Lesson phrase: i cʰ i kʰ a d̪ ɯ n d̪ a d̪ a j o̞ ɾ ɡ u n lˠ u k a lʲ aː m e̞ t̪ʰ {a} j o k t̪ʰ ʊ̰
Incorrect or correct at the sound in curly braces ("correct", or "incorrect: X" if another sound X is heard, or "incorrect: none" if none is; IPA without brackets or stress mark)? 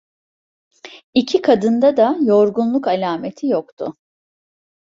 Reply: incorrect: i